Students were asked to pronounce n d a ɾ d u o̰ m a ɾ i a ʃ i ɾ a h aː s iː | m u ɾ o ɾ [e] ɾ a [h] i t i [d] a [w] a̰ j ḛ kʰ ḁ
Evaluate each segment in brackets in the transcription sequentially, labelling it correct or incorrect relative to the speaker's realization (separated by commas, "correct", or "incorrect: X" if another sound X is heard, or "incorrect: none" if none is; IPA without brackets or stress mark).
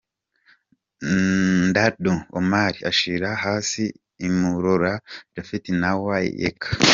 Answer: incorrect: a, incorrect: f, incorrect: n, correct